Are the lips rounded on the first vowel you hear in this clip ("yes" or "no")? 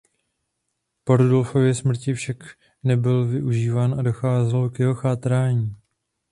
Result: yes